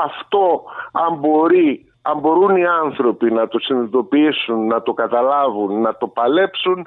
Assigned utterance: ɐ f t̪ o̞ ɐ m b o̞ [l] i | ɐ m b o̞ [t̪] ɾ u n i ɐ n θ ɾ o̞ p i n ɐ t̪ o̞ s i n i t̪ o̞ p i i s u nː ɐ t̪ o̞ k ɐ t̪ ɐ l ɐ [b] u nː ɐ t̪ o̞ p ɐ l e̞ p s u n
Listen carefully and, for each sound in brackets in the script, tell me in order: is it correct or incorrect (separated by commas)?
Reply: incorrect, incorrect, incorrect